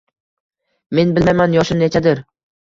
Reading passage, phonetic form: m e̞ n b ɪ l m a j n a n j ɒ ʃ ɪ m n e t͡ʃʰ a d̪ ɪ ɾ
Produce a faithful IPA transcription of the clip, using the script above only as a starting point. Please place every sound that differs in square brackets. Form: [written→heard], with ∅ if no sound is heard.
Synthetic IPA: m e̞ n b ɪ l m a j [n→m] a n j ɒ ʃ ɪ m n e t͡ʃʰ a d̪ ɪ ɾ